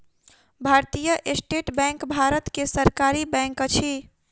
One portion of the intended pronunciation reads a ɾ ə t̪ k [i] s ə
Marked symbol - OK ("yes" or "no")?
no